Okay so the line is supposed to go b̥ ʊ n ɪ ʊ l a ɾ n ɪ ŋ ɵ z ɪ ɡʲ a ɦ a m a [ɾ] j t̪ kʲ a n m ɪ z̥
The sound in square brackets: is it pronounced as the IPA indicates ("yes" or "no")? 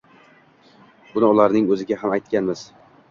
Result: no